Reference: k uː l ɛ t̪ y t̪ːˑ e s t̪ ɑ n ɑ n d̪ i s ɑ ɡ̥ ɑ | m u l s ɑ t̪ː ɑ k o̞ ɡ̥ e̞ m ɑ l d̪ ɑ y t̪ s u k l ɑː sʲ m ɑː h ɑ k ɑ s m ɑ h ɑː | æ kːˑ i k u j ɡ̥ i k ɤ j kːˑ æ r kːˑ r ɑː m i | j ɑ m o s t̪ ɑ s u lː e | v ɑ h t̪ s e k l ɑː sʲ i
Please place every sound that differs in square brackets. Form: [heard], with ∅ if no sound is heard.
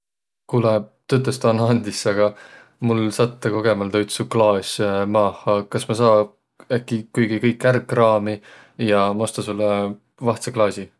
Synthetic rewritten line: k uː l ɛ t̪ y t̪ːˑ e s t̪ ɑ n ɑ n d̪ i s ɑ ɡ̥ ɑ | m u l s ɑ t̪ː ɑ k o̞ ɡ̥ e̞ m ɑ l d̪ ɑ y t̪ s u k l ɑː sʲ m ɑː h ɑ k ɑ s m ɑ [s] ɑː | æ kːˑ i k u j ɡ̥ i k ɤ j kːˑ æ r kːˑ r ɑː m i | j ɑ m o s t̪ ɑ s u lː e | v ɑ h t̪ s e k l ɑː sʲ i